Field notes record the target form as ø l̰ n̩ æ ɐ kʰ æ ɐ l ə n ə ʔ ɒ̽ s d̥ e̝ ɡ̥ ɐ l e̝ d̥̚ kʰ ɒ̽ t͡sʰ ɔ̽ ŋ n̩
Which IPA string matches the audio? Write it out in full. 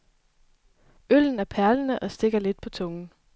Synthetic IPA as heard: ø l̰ n̩ æ ɐ pʰ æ ɐ l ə n ə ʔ ɒ̽ s d̥ e̝ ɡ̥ ɐ l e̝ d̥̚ pʰ ɒ̽ t͡sʰ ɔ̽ ŋ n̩